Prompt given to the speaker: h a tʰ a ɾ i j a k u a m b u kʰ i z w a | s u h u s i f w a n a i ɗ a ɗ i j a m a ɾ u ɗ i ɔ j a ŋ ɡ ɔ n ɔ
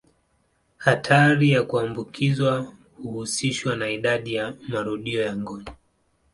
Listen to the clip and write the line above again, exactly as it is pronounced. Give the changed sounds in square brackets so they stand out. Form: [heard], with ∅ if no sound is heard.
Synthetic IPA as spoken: h a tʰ a ɾ i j a k u a m b u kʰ i z w a | [h] u h u s i [ʃ] w a n a i ɗ a ɗ i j a m a ɾ u ɗ i ɔ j a ŋ ɡ ɔ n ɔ

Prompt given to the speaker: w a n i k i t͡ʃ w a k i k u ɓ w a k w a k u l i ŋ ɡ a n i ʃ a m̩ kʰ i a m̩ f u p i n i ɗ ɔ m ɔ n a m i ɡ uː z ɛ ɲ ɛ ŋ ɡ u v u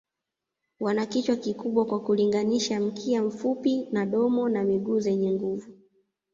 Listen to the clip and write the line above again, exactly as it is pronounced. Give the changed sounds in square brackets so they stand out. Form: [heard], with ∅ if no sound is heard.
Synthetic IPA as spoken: w a n [a] k i t͡ʃ w a k i k u ɓ w a k w a k u l i ŋ ɡ a n i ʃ a m̩ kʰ i a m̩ f u p i n [a] ɗ ɔ m ɔ n a m i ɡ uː z ɛ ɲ ɛ ŋ ɡ u v u

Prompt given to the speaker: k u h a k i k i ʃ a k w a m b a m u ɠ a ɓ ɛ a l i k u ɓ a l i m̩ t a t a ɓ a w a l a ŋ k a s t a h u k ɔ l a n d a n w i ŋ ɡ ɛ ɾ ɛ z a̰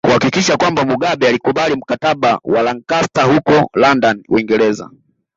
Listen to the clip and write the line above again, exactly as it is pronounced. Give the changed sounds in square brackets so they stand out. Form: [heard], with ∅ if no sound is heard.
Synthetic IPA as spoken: k u h a k i k i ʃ a k w a m b a m u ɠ a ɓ ɛ a l i k u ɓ a l i m̩ [k] a t a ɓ a w a l a ŋ k a s t a h u k ɔ l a n d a n w i ŋ ɡ ɛ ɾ ɛ z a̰

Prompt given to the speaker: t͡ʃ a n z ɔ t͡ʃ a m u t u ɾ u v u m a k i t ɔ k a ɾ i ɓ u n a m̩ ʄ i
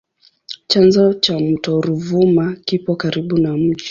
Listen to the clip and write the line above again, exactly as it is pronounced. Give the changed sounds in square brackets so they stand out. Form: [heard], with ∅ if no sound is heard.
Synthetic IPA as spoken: t͡ʃ a n z ɔ t͡ʃ a m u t [ɔ] ɾ u v u m a k i [p] ɔ k a ɾ i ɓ u n a m̩ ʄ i

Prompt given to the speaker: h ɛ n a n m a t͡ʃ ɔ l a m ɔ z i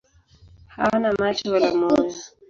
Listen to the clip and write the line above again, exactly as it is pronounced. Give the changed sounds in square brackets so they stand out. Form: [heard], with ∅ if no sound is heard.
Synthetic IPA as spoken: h [a] n a [∅] m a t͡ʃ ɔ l a m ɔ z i

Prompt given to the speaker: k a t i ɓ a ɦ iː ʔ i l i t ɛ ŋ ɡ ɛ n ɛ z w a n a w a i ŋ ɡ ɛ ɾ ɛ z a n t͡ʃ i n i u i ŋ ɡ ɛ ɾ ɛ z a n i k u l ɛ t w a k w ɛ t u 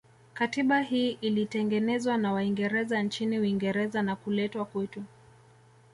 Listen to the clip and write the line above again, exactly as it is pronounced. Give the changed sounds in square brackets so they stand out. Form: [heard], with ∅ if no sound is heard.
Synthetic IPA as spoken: k a t i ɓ a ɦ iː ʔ i l i t ɛ ŋ ɡ ɛ n ɛ z w a n a w a i ŋ ɡ ɛ ɾ ɛ z a n t͡ʃ i n i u i ŋ ɡ ɛ ɾ ɛ z a n [a] k u l ɛ t w a k w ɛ t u

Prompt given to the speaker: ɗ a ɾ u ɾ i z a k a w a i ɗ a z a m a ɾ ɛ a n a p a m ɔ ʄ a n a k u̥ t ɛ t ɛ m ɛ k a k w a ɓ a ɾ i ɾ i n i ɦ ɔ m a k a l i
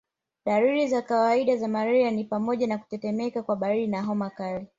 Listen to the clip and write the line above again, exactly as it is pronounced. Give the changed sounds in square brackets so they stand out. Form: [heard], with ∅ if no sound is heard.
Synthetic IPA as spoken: ɗ a ɾ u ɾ i z a k a w a i ɗ a z a m a ɾ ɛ a n [i] p a m ɔ ʄ a n a k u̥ t ɛ t ɛ m ɛ k a k w a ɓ a ɾ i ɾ i n [a] ɦ ɔ m a k a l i

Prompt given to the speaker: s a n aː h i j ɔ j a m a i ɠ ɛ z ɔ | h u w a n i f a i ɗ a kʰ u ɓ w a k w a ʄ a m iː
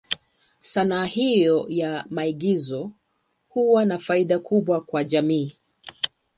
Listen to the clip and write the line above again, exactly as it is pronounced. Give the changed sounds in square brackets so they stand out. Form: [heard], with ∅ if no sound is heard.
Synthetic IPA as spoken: s a n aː h i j ɔ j a m a i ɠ [i] z ɔ | h u w a n [a] f a i ɗ a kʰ u ɓ w a k w a ʄ a m iː

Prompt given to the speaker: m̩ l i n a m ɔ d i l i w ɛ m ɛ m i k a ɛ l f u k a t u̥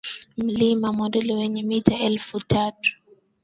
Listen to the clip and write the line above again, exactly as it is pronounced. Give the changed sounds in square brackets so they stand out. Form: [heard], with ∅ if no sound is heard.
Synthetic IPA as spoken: m̩ l i [m] a m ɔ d [ɛ] l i w ɛ [ɲ] ɛ m i [t] a ɛ l f u [t] a t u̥

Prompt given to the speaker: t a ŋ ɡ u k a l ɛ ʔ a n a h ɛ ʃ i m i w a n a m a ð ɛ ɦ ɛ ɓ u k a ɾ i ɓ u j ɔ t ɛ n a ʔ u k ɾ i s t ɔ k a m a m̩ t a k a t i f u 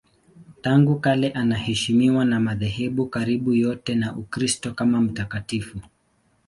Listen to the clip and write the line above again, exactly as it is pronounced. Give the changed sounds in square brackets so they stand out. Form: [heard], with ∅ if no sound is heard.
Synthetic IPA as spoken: t a ŋ ɡ u k a l ɛ ʔ a n a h ɛ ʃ i m i w a n a m a ð ɛ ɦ ɛ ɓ u k a ɾ i ɓ u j ɔ t ɛ n a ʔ u k ɾ i s t ɔ k a m a m̩ t a k a t i f u

